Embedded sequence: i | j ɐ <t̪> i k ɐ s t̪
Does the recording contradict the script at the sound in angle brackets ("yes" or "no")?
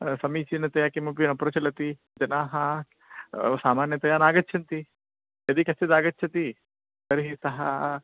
yes